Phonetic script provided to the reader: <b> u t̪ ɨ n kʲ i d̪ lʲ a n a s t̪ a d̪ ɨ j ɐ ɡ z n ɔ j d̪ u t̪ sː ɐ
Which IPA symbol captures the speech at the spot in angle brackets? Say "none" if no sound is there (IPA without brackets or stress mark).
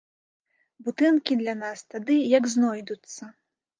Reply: b